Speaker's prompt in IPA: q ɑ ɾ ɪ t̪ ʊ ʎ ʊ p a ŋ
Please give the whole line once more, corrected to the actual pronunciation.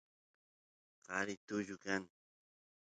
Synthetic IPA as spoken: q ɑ ɾ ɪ t̪ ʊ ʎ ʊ k a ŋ